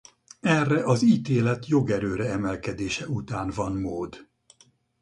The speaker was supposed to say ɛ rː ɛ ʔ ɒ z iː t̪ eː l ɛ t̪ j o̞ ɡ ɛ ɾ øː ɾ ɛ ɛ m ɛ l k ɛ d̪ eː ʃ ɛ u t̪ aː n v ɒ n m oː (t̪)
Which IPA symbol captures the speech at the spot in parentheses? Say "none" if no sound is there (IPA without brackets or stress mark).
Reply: d̪